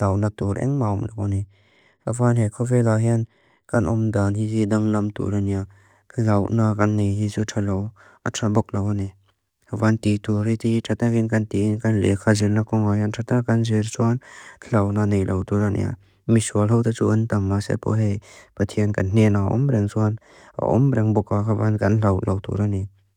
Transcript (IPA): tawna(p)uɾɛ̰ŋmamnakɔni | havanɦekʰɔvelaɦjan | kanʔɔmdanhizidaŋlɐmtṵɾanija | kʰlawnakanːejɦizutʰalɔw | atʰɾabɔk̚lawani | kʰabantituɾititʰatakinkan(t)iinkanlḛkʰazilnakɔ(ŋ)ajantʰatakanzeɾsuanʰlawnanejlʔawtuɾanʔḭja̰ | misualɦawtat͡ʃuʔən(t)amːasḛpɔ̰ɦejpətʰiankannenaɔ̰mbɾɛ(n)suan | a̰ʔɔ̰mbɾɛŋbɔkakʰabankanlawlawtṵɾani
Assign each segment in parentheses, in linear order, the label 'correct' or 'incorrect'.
incorrect: t, correct, correct, correct, incorrect: ŋ

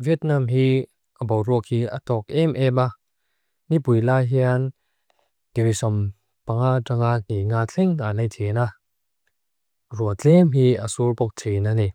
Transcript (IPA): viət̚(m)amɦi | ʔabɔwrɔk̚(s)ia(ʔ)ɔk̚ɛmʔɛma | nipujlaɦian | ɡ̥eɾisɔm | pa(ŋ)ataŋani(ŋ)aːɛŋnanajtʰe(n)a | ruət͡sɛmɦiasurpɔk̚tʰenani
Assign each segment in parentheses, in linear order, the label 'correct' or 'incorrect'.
incorrect: n, incorrect: h, incorrect: t, correct, correct, correct

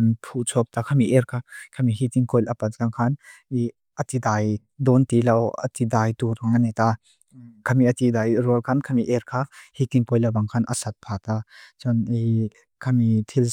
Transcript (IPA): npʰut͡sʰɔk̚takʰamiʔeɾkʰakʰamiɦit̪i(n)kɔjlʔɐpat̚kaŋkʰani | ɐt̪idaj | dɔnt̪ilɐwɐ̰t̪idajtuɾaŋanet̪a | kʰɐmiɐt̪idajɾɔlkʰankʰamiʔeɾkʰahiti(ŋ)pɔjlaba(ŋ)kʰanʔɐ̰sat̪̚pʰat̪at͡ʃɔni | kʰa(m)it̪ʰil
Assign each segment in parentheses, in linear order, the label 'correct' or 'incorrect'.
incorrect: ŋ, correct, correct, correct

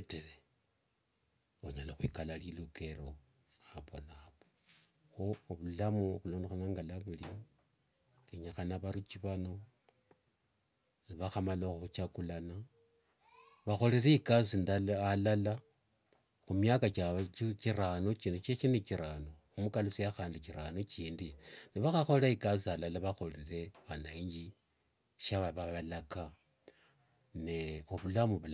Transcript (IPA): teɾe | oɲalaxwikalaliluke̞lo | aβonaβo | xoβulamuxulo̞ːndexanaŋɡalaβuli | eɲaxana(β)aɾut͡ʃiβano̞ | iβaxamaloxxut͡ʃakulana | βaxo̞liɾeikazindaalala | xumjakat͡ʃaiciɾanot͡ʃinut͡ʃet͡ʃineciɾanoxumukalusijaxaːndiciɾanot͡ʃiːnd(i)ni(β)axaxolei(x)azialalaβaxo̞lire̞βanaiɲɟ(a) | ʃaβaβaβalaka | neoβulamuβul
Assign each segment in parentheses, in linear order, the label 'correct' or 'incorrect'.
correct, correct, correct, incorrect: k, incorrect: i

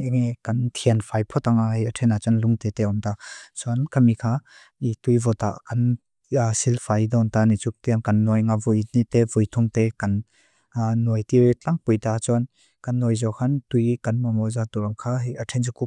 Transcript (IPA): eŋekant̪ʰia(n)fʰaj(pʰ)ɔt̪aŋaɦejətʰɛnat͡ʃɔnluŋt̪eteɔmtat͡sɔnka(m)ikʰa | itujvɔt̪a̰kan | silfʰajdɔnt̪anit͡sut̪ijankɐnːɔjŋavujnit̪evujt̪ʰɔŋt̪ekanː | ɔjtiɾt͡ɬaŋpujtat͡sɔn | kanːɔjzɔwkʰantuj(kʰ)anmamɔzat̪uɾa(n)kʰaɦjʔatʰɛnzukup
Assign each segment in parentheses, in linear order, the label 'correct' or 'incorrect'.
correct, correct, correct, incorrect: k, incorrect: ŋ

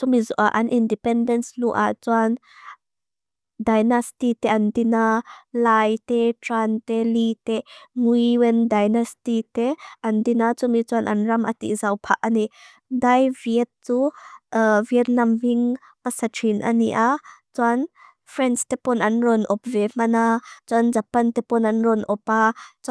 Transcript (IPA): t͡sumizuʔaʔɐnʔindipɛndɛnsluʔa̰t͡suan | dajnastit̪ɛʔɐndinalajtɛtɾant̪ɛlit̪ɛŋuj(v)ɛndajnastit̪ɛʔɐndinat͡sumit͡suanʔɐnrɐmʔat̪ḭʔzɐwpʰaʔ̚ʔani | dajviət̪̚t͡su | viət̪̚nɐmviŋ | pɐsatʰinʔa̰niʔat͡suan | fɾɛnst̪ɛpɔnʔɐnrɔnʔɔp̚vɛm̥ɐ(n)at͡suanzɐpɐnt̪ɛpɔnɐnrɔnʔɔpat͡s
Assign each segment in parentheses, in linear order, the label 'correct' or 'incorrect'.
incorrect: w, correct

